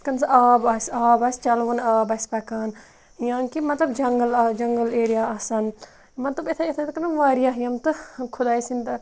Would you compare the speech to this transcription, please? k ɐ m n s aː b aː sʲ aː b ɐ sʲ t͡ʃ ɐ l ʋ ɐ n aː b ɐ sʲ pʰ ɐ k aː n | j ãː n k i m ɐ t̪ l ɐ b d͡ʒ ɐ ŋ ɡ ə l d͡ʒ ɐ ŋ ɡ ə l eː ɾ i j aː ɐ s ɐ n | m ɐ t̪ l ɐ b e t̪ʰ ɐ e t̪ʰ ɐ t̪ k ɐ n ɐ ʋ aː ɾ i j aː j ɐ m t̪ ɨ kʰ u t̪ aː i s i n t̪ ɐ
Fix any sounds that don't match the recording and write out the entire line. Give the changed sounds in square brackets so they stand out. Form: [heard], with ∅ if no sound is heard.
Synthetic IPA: k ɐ [∅] n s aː b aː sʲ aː b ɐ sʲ t͡ʃ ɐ l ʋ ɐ n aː b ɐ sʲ [p] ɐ k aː n | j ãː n k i m ɐ t̪ l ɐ b d͡ʒ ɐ ŋ ɡ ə l d͡ʒ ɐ ŋ ɡ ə l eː ɾ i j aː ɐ s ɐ n | m ɐ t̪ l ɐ b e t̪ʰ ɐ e t̪ʰ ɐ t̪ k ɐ n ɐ ʋ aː ɾ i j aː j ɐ m t̪ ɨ kʰ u [d̪] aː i s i n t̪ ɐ